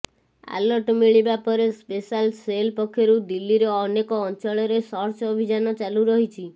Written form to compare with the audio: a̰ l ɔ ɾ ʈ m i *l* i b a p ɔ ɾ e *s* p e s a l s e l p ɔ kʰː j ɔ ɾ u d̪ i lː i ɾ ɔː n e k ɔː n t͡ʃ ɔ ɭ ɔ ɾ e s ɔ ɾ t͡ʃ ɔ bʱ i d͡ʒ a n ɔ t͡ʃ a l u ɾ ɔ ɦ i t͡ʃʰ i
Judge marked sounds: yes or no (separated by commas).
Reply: no, yes